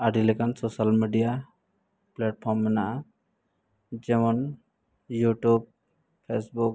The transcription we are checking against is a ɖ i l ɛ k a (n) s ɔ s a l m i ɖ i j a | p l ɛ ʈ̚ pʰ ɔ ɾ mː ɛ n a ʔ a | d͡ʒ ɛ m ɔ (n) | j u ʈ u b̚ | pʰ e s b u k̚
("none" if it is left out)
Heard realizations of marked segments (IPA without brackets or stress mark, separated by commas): n, n